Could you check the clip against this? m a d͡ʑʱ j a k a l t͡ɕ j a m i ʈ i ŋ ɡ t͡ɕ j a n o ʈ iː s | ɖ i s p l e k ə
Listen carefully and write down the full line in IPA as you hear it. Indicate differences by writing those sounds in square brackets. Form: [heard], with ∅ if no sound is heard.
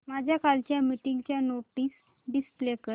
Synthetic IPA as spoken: m a d͡ʑʱ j a k a l t͡ɕ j a m i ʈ i ŋ ɡ t͡ɕ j a n o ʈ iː s | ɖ i s p l e k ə